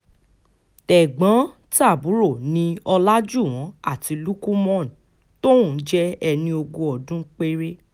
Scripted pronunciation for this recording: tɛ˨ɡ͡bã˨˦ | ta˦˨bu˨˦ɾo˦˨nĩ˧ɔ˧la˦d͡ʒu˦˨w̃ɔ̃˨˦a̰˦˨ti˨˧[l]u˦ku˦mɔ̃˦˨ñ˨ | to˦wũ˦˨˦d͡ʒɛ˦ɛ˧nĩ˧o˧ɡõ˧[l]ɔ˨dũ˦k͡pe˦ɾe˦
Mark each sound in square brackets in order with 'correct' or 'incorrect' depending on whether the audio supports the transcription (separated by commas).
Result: correct, incorrect